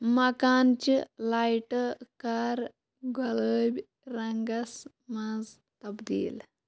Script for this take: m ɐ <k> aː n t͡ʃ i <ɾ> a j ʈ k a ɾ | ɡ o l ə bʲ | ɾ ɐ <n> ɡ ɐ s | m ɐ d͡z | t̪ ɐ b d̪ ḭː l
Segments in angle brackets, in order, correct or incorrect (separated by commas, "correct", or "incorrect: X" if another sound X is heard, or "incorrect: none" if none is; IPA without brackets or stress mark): correct, incorrect: l, incorrect: ŋ